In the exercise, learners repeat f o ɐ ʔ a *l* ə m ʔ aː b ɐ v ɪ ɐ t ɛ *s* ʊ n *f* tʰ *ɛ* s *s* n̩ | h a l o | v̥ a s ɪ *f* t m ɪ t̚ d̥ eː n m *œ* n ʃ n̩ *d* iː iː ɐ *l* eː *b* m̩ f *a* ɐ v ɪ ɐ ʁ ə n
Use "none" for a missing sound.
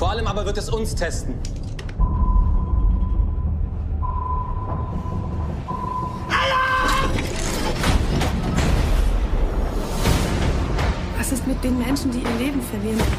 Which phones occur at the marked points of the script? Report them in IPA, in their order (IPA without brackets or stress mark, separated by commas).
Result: l, s, s, ɛ, t, s, ɛ, d, l, b, ɛ